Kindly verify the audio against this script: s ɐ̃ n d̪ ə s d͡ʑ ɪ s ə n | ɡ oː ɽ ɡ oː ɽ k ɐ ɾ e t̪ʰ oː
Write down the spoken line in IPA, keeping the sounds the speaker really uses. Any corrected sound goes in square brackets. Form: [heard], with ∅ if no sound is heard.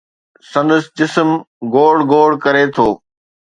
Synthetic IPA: s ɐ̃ n d̪ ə s d͡ʑ ɪ s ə [m] | ɡ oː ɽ ɡ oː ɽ k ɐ ɾ e t̪ʰ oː